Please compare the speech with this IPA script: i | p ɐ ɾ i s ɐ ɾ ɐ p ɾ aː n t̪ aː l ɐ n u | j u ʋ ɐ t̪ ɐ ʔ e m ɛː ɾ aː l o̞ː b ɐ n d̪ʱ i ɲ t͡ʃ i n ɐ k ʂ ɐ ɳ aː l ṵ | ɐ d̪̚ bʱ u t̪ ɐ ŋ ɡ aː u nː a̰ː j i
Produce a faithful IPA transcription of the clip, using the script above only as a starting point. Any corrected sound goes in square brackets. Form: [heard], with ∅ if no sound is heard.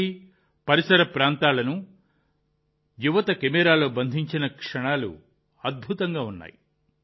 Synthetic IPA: i | p ɐ ɾ i s ɐ ɾ ɐ p ɾ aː n t̪ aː l ɐ n u | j u ʋ ɐ t̪ ɐ [k] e m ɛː ɾ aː l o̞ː b ɐ n d̪ʱ i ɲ t͡ʃ i n ɐ k ʂ ɐ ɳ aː l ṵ | ɐ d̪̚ bʱ u t̪ ɐ ŋ ɡ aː u nː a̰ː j i

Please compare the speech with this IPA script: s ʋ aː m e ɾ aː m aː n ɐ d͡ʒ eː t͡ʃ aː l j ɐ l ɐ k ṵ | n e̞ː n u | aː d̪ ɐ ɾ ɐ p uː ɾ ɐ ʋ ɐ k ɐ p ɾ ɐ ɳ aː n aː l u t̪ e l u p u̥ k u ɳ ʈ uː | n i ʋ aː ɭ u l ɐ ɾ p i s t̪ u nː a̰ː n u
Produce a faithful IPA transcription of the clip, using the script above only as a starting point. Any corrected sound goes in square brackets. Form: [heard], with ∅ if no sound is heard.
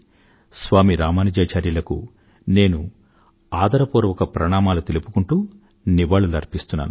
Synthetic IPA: s ʋ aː m [i] ɾ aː m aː n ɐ d͡ʒ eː t͡ʃ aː [ɾ] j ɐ l ɐ k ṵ | n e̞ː n u | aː d̪ ɐ ɾ ɐ p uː ɾ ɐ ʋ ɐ k ɐ p ɾ ɐ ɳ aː [m] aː l u t̪ e l u p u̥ k u ɳ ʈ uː | n i ʋ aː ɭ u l ɐ ɾ p i s t̪ u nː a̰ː n u

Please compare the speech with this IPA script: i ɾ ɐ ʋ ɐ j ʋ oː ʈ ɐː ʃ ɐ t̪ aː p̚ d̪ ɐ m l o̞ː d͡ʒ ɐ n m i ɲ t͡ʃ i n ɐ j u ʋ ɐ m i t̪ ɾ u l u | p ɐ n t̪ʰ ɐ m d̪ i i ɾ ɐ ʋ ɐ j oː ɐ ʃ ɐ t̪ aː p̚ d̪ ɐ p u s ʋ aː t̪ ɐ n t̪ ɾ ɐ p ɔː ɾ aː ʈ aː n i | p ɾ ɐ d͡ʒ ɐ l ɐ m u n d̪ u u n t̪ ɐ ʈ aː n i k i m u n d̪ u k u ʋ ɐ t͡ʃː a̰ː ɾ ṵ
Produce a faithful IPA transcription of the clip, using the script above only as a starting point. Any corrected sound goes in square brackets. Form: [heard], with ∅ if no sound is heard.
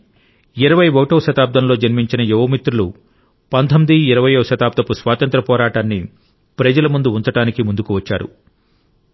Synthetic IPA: i ɾ ɐ ʋ ɐ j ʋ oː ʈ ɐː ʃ ɐ t̪ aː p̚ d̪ ɐ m l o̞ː d͡ʒ ɐ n m i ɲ t͡ʃ i n ɐ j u ʋ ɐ m i t̪ ɾ u l u | p ɐ n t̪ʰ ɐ m d̪ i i ɾ ɐ ʋ ɐ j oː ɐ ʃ ɐ t̪ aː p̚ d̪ ɐ p u s ʋ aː t̪ ɐ n t̪ ɾ ɐ p ɔː ɾ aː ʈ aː [nː] i | p ɾ ɐ d͡ʒ ɐ l ɐ m u n d̪ u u n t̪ ɐ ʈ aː n i k i m u n d̪ u k u ʋ ɐ t͡ʃː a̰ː ɾ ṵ

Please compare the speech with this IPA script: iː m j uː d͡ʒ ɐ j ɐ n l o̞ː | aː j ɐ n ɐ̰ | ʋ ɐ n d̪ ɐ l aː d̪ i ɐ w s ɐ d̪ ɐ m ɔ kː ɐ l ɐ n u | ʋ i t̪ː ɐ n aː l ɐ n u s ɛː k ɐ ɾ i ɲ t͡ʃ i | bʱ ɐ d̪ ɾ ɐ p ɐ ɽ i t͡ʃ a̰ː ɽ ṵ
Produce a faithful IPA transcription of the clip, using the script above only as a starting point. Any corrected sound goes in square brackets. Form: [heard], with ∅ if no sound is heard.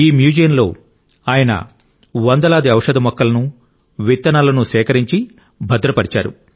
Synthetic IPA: iː m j uː d͡ʒ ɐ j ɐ n l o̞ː | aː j ɐ n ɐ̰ | ʋ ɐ n d̪ ɐ l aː d̪ i ɐ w [ʂ] ɐ d̪ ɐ m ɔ kː ɐ l ɐ n u | ʋ i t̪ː ɐ n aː l ɐ n u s ɛː k ɐ ɾ i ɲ t͡ʃ i | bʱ ɐ d̪ ɾ ɐ p ɐ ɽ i t͡ʃ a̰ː [ɾ] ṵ

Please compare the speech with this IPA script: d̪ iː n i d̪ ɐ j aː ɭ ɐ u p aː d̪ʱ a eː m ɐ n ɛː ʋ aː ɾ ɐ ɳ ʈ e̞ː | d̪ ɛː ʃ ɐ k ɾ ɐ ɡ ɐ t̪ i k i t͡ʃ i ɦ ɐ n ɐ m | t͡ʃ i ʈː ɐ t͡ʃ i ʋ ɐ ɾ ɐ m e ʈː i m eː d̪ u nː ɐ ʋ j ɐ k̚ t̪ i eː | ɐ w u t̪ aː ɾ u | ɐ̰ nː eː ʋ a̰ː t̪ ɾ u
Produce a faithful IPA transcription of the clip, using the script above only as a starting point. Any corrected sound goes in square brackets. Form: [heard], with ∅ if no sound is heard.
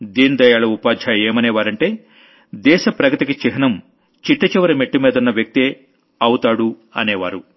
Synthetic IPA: d̪ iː n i d̪ ɐ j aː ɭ ɐ u p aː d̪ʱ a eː m ɐ n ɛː ʋ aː ɾ ɐ ɳ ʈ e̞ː | d̪ ɛː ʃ ɐ [p] ɾ ɐ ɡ ɐ t̪ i k i t͡ʃ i ɦ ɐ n ɐ m | t͡ʃ i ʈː ɐ t͡ʃ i ʋ ɐ ɾ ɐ m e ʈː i m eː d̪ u nː ɐ ʋ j ɐ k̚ t̪ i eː | ɐ w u t̪ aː [ɽ] u | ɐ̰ [n] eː ʋ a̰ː [∅] ɾ u

